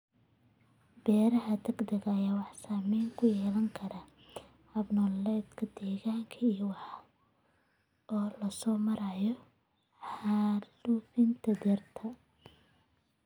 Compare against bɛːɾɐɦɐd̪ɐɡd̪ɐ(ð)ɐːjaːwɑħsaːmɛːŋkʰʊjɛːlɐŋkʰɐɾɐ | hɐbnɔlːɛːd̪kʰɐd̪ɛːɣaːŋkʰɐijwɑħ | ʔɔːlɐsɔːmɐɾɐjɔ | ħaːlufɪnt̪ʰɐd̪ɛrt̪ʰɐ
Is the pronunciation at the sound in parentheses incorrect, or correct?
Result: incorrect